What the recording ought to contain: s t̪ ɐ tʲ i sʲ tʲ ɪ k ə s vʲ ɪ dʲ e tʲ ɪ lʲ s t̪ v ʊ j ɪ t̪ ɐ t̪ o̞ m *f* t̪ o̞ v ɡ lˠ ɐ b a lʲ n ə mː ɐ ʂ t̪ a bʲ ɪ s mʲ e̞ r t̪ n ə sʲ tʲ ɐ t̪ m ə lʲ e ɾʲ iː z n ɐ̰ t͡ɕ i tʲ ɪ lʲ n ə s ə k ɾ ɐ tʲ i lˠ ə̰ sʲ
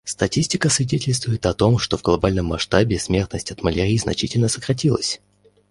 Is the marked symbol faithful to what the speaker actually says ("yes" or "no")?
no